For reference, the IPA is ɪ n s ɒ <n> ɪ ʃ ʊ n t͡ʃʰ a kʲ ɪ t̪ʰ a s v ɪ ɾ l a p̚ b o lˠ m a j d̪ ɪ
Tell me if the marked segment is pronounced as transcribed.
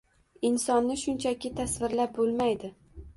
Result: no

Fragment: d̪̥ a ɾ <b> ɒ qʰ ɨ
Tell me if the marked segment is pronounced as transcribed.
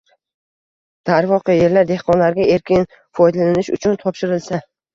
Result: no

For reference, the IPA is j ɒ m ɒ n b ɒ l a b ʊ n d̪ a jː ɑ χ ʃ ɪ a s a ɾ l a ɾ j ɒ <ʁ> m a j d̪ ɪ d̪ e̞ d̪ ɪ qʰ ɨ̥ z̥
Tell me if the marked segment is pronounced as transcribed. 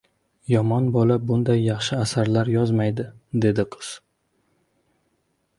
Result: no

